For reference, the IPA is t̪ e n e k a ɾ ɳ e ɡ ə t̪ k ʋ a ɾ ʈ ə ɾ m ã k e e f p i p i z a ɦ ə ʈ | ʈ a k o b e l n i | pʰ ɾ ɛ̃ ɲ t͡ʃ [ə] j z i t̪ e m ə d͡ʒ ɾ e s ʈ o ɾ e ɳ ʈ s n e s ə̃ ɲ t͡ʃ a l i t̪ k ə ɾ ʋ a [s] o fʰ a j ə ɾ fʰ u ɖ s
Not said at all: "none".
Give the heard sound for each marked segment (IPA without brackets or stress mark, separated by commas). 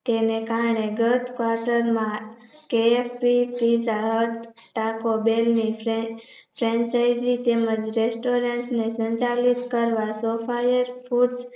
a, s